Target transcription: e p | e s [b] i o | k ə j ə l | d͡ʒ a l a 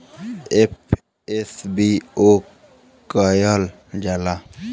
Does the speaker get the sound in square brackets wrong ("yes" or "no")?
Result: no